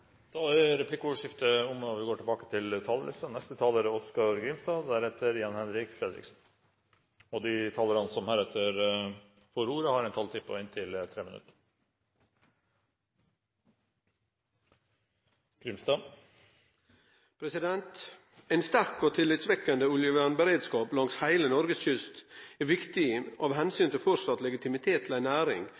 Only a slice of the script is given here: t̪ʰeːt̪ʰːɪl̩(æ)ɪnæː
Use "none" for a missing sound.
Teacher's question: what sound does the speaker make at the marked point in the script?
æ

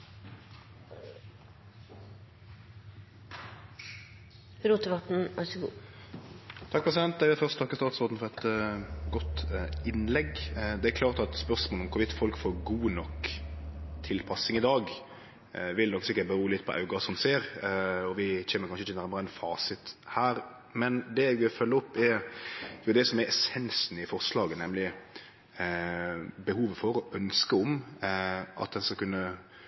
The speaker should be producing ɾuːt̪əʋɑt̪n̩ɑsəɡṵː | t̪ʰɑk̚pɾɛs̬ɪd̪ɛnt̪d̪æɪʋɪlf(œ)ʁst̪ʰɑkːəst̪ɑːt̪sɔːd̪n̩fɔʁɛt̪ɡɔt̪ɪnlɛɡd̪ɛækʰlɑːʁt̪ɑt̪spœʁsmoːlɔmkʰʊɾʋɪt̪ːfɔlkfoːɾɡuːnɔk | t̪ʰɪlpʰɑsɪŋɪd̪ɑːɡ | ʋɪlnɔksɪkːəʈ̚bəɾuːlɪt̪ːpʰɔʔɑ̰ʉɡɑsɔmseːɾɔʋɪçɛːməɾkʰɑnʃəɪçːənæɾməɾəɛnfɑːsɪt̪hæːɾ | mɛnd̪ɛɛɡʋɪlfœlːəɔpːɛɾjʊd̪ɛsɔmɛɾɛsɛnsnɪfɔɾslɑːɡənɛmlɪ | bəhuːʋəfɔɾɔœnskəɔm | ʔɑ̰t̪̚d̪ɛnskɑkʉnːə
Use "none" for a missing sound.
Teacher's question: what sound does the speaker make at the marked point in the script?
œ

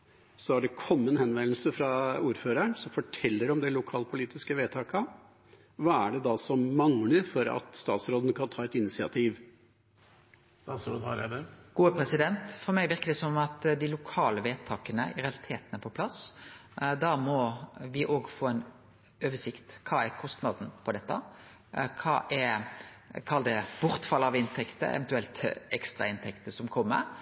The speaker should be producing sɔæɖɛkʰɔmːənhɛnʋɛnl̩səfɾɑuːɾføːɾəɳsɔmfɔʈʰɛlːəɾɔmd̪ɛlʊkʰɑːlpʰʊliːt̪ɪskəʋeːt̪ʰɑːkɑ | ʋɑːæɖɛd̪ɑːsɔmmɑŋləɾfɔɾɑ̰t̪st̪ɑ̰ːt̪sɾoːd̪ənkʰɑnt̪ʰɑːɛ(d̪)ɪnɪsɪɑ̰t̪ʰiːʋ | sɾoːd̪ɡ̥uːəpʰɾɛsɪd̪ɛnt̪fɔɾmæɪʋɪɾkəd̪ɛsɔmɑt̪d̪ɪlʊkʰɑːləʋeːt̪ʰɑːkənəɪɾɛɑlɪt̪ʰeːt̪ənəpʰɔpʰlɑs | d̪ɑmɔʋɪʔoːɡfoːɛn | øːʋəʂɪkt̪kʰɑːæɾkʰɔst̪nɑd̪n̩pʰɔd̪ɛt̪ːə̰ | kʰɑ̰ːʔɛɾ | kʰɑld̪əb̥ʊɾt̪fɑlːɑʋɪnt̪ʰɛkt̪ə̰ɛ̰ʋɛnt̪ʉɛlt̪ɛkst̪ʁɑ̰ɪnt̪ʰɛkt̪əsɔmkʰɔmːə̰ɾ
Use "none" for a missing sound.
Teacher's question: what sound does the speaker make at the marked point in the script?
t̪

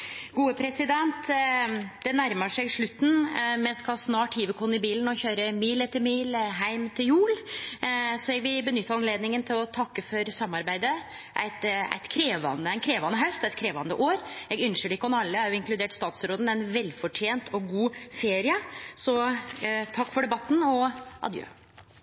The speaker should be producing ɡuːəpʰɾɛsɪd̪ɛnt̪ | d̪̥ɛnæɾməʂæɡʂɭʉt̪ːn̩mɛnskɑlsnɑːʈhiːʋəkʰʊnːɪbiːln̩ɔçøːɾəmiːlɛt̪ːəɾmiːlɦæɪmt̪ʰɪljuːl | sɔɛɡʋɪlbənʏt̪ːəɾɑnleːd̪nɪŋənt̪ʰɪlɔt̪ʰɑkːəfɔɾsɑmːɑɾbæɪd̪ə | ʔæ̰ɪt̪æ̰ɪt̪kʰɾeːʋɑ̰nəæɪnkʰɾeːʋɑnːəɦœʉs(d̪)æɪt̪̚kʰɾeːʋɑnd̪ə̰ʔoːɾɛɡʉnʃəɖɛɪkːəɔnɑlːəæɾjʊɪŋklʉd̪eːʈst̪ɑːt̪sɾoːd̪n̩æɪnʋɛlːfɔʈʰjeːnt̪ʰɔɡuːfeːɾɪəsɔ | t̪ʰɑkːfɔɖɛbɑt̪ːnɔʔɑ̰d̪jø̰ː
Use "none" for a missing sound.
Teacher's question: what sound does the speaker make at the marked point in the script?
t̪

